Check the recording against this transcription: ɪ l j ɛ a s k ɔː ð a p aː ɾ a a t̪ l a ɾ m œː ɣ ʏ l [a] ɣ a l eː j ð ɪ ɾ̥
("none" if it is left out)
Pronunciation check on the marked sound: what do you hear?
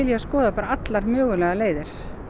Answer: ɛ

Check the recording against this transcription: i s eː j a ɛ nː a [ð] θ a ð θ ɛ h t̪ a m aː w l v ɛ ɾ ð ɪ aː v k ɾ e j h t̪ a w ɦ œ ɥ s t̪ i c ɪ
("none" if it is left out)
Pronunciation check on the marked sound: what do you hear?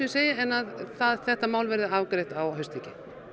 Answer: ð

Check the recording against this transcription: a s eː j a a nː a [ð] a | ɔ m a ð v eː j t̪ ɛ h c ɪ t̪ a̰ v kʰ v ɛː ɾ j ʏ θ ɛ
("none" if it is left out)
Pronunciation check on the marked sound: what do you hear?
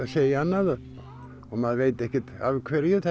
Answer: ð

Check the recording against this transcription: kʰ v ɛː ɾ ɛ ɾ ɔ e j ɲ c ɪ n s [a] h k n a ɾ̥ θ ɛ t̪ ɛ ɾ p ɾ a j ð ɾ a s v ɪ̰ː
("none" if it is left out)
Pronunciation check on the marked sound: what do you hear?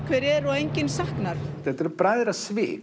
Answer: a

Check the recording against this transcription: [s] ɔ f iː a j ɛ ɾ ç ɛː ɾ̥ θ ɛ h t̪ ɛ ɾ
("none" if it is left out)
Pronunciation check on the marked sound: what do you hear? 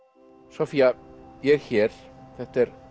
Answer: s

